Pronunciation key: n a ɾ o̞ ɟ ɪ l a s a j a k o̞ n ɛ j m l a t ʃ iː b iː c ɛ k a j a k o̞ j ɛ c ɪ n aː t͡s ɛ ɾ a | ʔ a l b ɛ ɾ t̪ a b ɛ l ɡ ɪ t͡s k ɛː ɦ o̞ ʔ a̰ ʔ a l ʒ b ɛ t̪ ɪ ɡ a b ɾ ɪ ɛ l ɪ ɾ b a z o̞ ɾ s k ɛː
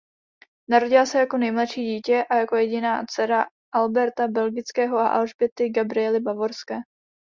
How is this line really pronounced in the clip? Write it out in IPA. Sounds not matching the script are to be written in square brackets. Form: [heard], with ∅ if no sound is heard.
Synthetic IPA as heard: n a ɾ o̞ ɟ ɪ l a s [ɛ] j a k o̞ n ɛ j m l a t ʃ iː [ɟ] iː c ɛ [ʔ] a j a k o̞ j ɛ [ɟ] ɪ n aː t͡s ɛ ɾ a | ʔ a l b ɛ ɾ t̪ a b ɛ l ɡ ɪ t͡s k ɛː ɦ o̞ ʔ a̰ ʔ a l ʒ b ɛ t̪ ɪ ɡ a b ɾ ɪ ɛ l ɪ [∅] b a [v] o̞ ɾ s k ɛː